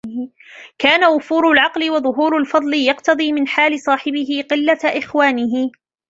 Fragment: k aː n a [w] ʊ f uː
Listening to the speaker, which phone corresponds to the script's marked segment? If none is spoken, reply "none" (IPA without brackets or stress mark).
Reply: w